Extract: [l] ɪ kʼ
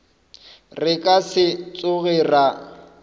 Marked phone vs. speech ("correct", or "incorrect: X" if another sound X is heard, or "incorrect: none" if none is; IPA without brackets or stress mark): incorrect: r